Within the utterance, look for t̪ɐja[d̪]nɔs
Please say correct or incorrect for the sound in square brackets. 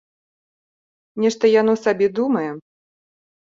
incorrect